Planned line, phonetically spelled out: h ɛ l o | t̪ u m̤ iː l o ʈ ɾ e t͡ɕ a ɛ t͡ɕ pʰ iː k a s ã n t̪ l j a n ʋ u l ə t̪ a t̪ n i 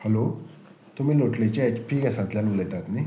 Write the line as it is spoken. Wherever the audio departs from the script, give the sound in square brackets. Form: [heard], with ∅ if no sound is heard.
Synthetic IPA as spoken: h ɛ l o | t̪ u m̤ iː l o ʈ [l] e t͡ɕ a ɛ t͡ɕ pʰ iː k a s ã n t̪ l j a n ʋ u l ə t̪ a t̪ n i